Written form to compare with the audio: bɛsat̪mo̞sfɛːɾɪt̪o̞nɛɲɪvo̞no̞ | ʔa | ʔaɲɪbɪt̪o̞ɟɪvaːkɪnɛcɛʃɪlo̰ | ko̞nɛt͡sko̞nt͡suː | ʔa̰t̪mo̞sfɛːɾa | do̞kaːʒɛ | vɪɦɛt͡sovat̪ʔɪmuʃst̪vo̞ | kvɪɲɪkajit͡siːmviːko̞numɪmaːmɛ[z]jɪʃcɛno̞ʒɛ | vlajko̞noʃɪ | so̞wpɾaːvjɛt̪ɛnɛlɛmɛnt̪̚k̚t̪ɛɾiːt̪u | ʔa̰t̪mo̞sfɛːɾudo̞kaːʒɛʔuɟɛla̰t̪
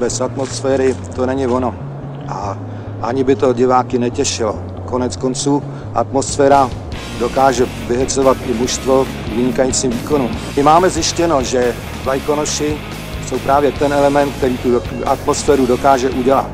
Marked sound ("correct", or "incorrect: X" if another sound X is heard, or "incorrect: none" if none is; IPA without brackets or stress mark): correct